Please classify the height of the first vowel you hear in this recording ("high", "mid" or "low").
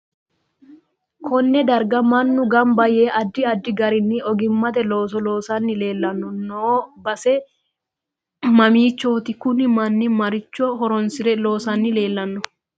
mid